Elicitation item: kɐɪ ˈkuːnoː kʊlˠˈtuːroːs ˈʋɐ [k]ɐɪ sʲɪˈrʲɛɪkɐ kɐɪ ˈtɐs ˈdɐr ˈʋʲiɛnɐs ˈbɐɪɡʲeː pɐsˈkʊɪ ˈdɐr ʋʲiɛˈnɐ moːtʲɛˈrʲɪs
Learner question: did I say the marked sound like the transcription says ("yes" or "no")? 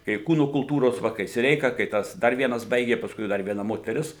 yes